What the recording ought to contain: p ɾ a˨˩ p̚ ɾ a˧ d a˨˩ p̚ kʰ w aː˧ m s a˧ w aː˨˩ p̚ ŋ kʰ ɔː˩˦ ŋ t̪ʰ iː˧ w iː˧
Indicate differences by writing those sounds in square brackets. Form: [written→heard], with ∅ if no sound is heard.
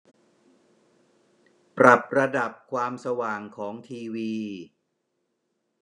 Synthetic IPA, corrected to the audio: p ɾ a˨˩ p̚ ɾ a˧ d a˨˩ p̚ kʰ w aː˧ m s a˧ w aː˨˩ [p̚→∅] ŋ kʰ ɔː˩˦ ŋ t̪ʰ iː˧ w iː˧